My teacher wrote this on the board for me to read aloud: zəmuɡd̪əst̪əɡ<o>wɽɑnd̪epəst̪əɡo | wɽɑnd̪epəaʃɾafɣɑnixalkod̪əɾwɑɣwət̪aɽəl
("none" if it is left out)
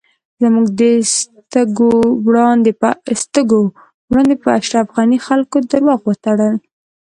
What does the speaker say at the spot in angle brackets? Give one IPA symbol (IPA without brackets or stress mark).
o